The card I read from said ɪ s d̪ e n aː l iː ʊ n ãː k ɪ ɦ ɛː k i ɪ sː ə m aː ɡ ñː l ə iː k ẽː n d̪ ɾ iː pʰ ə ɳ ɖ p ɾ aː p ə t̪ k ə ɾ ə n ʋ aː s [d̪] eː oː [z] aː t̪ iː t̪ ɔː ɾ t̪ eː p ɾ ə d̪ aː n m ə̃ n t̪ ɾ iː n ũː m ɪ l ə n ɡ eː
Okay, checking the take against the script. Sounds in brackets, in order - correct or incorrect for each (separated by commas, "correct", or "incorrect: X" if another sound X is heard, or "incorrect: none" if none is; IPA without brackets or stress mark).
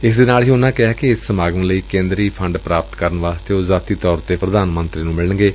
incorrect: t̪, correct